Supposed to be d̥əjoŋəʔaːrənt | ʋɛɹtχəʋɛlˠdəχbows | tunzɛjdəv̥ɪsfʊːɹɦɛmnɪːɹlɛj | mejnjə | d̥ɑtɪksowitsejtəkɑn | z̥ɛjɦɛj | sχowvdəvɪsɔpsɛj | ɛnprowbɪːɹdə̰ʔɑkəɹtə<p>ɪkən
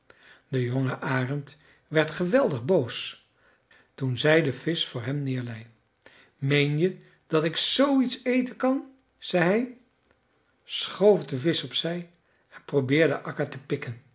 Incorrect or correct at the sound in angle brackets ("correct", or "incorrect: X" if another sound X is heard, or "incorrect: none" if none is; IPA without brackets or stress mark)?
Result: correct